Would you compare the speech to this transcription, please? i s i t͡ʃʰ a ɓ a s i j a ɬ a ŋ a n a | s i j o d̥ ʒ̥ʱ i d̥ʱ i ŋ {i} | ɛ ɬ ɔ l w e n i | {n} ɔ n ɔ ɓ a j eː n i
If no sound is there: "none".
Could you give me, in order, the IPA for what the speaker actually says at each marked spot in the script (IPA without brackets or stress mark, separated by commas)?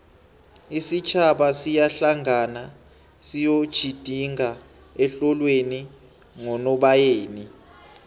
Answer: a, ŋ